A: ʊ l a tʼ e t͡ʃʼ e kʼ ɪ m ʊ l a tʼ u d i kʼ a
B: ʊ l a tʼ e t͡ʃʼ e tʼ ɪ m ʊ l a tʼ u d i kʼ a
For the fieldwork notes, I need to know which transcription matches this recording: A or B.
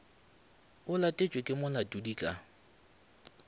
A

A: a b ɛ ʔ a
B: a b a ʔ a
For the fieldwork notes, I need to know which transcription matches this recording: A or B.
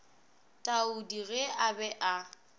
A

